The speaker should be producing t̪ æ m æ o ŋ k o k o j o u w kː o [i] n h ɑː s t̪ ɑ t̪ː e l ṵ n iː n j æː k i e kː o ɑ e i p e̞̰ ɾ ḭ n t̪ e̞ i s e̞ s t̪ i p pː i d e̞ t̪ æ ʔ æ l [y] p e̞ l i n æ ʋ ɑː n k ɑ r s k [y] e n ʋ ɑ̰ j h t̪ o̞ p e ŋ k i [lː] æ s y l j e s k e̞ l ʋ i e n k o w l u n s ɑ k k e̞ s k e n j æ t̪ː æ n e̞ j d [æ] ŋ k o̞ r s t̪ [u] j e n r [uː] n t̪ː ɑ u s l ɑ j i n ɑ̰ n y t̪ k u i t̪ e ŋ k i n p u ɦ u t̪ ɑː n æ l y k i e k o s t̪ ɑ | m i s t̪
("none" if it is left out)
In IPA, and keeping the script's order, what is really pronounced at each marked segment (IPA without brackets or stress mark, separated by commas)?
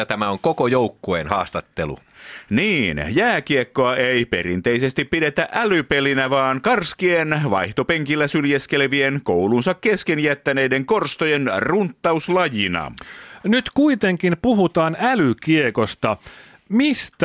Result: e, y, i, lː, e, o, u